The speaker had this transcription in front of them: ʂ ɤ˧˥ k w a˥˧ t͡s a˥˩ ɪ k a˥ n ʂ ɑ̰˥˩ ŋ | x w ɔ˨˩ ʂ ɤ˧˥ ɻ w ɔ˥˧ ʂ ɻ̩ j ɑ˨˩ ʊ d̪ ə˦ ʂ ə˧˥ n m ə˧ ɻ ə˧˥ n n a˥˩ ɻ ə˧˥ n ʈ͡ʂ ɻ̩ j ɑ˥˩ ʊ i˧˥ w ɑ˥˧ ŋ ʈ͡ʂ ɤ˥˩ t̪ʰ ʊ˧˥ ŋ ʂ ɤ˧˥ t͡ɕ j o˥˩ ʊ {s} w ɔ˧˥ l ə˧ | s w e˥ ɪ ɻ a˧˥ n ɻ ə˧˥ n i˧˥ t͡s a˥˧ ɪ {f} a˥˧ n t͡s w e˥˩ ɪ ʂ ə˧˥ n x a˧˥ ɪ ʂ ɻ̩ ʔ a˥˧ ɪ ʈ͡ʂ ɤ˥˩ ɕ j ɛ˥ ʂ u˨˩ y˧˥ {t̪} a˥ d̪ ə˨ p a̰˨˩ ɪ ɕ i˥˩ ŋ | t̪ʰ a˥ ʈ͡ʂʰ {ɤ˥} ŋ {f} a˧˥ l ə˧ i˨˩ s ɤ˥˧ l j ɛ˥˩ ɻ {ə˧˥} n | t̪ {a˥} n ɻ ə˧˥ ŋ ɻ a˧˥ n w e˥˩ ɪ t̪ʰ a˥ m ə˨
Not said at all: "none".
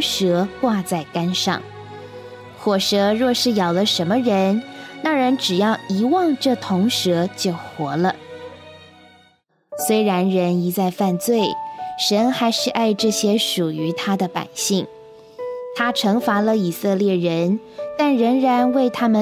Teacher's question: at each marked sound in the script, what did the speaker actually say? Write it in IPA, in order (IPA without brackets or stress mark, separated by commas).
x, f, t̪ʰ, ɤ˧˥, f, ə˧˥, a˥˩